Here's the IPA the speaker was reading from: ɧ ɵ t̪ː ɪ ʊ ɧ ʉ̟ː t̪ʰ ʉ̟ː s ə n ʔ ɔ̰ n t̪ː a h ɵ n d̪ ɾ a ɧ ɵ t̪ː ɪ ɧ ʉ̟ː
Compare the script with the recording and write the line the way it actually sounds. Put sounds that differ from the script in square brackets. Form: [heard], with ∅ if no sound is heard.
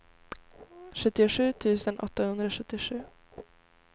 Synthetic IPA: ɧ ɵ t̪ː ɪ ʊ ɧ ʉ̟ː t̪ʰ ʉ̟ː s ə n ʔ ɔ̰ [∅] t̪ː a h ɵ n d̪ ɾ a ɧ ɵ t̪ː ɪ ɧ ʉ̟ː